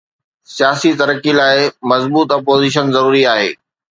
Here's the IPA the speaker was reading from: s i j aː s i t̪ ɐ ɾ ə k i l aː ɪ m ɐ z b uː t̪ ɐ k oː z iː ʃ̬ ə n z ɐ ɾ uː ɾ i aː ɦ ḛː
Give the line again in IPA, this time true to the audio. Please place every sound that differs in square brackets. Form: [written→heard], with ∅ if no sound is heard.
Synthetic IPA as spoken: s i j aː s i t̪ ɐ ɾ ə k i l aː ɪ m ɐ z b uː t̪ ɐ [k→p] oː z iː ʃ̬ ə n z ɐ ɾ uː ɾ i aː ɦ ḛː